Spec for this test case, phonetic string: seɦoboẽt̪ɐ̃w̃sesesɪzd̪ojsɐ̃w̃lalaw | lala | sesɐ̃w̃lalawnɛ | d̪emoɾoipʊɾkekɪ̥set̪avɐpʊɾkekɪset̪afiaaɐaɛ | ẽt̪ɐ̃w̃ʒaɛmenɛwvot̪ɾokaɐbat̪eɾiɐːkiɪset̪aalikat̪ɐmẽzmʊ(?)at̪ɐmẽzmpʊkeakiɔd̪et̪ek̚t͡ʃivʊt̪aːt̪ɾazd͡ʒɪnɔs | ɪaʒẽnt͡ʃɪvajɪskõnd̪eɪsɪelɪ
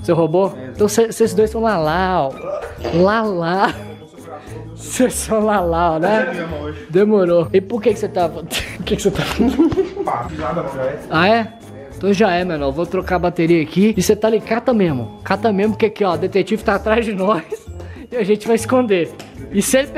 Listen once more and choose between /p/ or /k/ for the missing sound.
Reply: k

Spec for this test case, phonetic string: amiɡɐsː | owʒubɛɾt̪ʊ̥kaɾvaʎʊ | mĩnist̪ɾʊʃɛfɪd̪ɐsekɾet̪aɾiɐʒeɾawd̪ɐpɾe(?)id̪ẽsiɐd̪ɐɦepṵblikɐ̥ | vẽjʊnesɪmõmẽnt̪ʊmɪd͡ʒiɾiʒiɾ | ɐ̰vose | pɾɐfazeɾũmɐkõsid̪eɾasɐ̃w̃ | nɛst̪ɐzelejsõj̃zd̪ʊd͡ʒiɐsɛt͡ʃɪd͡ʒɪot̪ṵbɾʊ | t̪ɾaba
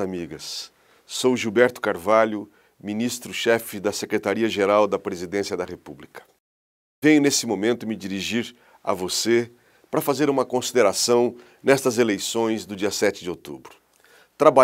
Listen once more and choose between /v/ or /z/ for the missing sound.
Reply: z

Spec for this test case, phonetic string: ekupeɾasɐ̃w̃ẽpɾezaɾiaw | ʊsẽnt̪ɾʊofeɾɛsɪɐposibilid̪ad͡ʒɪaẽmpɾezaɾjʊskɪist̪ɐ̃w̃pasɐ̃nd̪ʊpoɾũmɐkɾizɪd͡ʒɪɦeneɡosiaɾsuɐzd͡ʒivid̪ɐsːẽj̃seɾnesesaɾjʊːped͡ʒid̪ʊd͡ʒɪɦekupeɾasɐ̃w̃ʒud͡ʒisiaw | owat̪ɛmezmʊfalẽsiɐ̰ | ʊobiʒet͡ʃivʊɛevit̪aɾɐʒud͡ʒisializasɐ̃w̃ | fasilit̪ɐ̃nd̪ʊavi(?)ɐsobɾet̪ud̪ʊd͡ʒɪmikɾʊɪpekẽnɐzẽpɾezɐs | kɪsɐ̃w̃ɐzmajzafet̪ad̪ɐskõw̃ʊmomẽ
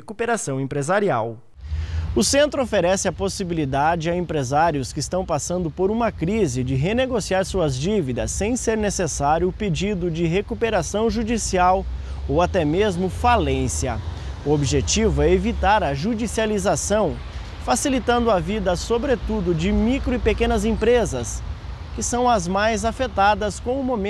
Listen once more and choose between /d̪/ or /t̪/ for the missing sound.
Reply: d̪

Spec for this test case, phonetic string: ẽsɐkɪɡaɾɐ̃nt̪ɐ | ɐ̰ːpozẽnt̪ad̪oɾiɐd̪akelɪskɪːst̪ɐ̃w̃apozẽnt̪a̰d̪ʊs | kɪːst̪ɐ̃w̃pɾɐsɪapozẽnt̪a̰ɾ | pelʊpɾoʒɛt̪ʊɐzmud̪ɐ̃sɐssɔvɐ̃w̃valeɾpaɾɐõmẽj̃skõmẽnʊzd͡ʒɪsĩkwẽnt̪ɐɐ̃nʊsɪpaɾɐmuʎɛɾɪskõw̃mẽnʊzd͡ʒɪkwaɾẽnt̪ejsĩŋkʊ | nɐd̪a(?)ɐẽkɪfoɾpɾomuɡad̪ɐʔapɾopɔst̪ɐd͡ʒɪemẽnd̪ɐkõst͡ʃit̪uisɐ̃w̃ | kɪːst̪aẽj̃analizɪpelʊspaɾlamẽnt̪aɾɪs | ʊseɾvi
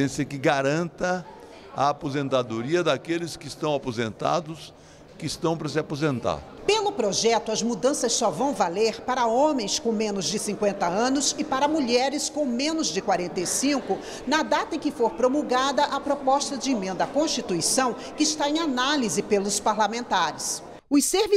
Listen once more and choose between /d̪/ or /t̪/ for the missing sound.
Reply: t̪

